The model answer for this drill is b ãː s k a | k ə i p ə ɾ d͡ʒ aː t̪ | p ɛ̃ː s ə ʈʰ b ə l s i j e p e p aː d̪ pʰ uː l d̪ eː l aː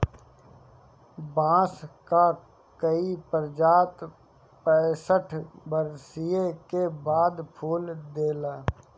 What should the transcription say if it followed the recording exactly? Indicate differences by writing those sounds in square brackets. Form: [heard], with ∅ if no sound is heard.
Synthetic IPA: b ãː s k a | k ə i p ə ɾ d͡ʒ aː t̪ | p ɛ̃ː s ə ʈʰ b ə [ɾ] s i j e [k] e [b] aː d̪ pʰ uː l d̪ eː l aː